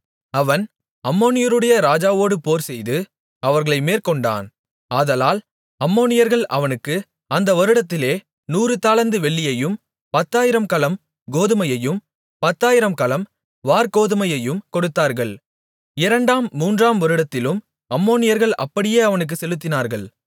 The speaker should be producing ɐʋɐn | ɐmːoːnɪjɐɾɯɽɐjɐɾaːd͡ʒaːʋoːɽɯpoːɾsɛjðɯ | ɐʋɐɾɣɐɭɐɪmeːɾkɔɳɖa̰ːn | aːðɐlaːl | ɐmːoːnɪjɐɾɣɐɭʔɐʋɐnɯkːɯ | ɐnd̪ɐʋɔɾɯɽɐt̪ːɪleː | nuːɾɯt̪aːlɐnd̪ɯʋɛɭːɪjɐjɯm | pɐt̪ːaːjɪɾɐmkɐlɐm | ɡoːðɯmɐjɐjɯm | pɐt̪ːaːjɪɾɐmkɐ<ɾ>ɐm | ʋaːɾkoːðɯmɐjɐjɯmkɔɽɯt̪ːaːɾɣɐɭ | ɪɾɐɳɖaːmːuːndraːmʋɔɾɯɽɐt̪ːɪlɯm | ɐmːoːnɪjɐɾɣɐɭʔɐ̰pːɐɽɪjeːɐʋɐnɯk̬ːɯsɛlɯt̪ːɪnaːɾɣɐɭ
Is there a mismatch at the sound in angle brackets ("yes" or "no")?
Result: yes